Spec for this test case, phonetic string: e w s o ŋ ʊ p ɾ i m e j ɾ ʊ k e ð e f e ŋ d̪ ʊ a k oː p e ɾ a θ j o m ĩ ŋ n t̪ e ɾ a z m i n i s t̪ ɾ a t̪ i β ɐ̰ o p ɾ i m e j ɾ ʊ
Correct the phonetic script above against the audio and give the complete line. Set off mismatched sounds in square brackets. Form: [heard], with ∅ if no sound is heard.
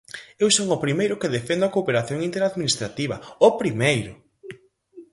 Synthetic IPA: e w s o ŋ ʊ p ɾ i m e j ɾ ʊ k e ð e f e [n] d̪ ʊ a k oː p e ɾ a θ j o [ŋ] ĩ [∅] n t̪ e ɾ a [ð] m i n i s t̪ ɾ a t̪ i β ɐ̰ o p ɾ i m e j ɾ ʊ